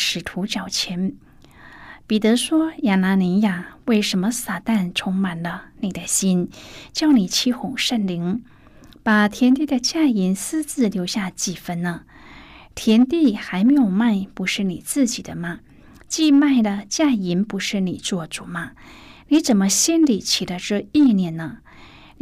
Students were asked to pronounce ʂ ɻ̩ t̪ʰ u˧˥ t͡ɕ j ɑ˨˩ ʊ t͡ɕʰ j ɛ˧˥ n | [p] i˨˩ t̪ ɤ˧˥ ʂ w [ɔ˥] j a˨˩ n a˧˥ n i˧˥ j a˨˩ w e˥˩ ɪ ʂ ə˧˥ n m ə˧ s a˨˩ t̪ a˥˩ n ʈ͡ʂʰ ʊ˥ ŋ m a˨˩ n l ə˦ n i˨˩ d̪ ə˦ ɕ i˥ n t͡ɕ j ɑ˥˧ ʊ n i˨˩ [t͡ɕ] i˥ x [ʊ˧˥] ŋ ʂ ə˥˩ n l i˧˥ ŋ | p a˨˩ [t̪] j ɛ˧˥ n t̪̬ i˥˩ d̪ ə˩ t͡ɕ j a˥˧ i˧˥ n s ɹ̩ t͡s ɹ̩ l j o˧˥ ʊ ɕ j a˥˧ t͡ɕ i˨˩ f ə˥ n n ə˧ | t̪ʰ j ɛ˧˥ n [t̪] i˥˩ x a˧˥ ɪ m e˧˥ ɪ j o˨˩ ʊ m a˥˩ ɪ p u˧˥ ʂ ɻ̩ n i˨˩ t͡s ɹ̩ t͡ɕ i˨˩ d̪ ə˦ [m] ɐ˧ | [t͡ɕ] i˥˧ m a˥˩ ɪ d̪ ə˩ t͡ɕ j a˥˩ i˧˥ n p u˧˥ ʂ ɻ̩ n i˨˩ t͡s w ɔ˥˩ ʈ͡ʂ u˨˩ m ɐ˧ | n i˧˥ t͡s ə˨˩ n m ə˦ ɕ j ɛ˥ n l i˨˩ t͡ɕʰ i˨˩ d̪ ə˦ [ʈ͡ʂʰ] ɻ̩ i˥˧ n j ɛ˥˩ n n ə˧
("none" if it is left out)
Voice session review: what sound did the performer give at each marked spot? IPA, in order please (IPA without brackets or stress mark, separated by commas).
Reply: p, ɔ˥, t͡ɕʰ, ʊ˨˩, t̪ʰ, t̪, m, t͡ɕ, ʈ͡ʂ